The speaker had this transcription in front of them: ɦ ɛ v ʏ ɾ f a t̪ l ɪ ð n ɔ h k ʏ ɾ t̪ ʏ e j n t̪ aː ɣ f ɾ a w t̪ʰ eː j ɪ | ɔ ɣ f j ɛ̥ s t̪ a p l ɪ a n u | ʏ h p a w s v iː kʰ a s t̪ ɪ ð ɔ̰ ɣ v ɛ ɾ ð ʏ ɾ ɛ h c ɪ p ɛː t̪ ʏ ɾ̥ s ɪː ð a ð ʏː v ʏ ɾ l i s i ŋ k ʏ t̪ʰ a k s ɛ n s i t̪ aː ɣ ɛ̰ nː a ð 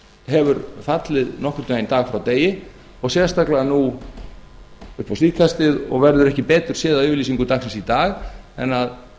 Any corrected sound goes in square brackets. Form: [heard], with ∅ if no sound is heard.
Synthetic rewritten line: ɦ ɛ v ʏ ɾ f a t̪ l ɪ ð n ɔ h k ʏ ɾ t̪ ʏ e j n t̪ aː ɣ f ɾ a w [t̪] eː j ɪ | ɔ ɣ [s] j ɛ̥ s t̪ a [k] l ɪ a n u | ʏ h p a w s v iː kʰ a s t̪ ɪ ð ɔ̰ ɣ v ɛ ɾ ð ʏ ɾ ɛ h c ɪ p ɛː t̪ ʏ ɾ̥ s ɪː ð a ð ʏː v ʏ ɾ l i s i ŋ k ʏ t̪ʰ a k s ɛ n s i t̪ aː ɣ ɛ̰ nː a ð